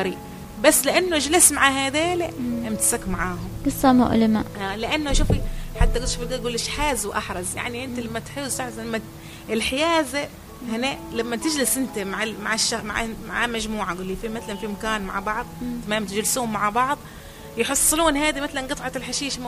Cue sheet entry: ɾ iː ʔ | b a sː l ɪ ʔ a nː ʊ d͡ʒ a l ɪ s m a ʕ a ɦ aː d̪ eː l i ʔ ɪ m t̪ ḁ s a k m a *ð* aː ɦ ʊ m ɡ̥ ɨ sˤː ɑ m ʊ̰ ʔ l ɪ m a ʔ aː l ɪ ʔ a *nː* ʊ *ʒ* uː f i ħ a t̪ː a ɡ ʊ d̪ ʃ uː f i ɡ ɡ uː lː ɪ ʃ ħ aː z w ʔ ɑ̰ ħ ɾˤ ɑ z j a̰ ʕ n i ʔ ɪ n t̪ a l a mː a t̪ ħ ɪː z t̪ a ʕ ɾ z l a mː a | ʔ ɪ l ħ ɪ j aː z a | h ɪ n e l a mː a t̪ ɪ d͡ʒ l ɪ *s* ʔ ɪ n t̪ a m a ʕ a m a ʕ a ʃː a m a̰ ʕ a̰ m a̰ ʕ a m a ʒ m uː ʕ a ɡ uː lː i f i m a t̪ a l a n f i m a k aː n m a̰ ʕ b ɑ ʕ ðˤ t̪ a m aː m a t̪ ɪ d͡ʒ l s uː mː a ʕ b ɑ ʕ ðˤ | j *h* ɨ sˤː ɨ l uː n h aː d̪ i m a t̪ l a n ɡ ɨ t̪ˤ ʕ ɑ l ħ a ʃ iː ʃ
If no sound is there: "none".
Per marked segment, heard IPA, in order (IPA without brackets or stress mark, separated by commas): ʕ, nː, ʃ, s, ħ